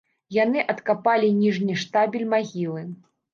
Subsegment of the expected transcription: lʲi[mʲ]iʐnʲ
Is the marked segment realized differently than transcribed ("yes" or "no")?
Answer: yes